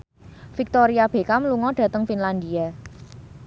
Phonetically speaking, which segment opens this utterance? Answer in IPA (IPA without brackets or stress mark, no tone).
f